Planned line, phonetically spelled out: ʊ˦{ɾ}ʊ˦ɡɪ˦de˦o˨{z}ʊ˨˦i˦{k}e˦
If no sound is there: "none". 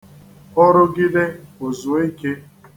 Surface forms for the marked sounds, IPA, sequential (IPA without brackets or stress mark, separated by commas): ɾ, z, k